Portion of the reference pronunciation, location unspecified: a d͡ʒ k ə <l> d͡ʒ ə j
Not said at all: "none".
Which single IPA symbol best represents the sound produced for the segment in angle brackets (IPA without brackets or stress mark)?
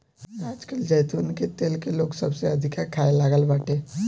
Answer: l